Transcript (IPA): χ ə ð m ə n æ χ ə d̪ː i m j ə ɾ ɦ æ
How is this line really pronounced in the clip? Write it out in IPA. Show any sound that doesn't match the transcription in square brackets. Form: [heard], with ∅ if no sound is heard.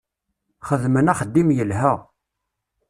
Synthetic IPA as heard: χ ə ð m ə n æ χ ə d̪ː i m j ə [l] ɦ æ